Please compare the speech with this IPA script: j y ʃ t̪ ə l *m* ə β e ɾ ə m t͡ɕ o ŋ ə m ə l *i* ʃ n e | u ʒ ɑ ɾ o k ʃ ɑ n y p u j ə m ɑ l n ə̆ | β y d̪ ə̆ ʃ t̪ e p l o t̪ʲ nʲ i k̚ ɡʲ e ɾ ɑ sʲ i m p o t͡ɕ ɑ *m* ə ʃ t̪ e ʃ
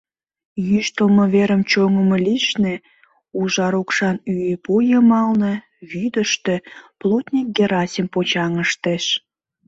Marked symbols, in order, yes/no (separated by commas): yes, yes, no